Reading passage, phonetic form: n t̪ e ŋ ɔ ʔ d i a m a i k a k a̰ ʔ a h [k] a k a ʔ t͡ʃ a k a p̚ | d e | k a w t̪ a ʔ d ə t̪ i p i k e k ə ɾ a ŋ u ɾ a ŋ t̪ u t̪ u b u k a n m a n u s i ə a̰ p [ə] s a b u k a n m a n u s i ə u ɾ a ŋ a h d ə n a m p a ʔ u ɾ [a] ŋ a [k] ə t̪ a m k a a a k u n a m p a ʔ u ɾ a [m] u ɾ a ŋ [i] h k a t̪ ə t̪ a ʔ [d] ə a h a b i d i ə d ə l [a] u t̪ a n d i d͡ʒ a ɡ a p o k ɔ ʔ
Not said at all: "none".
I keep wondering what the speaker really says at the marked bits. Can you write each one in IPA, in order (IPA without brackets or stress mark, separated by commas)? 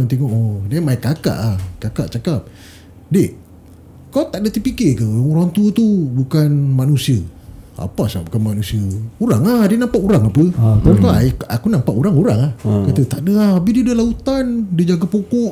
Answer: k, a, a, p, ŋ, a, d, a